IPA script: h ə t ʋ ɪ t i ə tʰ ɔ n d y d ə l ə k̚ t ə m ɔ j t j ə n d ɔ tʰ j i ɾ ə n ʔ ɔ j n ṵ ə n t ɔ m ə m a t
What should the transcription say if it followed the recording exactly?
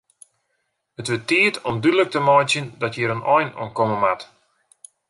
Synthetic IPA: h ə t ʋ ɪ t i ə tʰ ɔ m d y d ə l ə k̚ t ə m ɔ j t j ə n d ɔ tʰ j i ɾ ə n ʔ ɔ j n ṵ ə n k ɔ m ə m a t